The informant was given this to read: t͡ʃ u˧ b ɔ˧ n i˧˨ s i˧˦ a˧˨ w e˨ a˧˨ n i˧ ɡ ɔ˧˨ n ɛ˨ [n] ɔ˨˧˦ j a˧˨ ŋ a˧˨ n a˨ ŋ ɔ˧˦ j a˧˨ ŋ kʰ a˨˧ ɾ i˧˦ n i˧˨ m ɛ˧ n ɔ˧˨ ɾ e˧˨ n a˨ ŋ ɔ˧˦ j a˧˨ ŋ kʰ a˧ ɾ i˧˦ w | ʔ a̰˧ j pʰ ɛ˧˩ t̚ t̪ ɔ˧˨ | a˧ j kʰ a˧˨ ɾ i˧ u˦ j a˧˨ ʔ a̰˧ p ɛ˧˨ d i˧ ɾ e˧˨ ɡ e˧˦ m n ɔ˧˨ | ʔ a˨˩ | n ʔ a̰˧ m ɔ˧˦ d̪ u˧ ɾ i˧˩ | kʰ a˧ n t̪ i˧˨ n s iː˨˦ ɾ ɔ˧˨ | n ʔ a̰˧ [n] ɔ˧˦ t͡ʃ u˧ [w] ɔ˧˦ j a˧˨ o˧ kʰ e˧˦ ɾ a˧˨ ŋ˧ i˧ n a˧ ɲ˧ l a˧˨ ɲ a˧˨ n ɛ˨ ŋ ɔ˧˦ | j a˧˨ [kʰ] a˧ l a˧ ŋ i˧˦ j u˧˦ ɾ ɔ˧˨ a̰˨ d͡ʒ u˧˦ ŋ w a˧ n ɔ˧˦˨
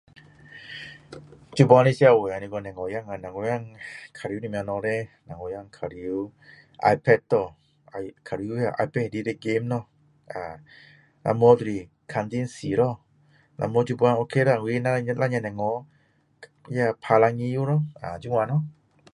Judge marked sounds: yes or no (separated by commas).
no, no, no, no